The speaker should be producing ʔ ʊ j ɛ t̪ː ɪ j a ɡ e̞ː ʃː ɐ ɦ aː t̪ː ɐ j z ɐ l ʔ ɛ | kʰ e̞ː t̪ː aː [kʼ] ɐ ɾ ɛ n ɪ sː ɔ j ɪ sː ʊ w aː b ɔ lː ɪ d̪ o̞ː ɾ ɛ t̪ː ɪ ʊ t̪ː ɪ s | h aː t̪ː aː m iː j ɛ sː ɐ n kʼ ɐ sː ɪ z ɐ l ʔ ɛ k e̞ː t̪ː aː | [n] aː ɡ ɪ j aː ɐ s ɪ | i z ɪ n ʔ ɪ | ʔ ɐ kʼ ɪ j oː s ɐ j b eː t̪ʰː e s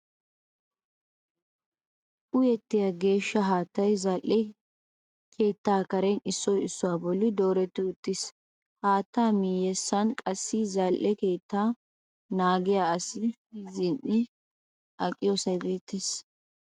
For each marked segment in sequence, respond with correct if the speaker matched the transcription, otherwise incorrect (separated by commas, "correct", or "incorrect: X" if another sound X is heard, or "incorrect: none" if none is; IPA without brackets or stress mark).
incorrect: k, correct